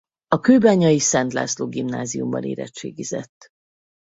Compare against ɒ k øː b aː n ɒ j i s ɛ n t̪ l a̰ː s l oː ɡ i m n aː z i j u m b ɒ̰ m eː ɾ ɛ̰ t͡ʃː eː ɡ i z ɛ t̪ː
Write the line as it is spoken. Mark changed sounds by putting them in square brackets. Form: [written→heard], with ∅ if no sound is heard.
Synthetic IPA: ɒ k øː b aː [n→ɲ] ɒ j i s ɛ n t̪ l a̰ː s l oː ɡ i m n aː z i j u m b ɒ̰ [m→n] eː ɾ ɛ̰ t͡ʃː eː ɡ i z ɛ t̪ː